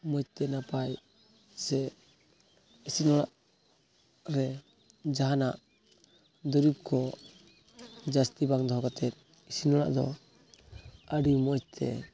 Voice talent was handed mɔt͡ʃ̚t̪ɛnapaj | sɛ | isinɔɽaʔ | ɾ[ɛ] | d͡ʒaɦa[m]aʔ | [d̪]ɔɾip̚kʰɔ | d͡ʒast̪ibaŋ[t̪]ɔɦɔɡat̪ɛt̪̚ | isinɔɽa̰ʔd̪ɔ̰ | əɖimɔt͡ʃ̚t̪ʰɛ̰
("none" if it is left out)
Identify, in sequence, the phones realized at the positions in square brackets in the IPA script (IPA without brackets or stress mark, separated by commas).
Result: ɛ, n, d̪, d̪